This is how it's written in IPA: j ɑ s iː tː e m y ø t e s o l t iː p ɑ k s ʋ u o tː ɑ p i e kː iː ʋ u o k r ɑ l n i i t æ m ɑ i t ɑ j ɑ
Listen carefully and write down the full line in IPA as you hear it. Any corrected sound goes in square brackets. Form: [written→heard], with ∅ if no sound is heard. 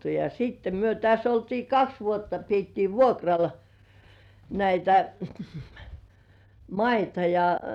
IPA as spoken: j ɑ s iː tː e m y ø t [e→æ] s o l t iː [p→k] ɑ k s ʋ u o tː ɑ p i e [kː→tː] iː ʋ u o k r ɑ l n [i→æ] i t æ m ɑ i t ɑ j ɑ